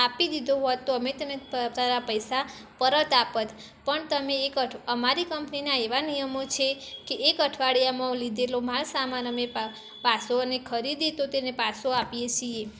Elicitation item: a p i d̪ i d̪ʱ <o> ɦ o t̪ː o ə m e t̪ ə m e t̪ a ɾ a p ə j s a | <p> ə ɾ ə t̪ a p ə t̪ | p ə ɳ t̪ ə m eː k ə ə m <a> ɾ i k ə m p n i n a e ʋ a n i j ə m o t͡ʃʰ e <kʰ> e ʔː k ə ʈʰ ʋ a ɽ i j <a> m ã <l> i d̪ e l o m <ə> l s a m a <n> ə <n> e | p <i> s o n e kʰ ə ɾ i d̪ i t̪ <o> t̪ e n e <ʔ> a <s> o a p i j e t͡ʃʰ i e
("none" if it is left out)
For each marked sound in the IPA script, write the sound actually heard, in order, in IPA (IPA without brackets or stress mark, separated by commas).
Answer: o, p, a, k, a, l, a, n, m, a, o, p, s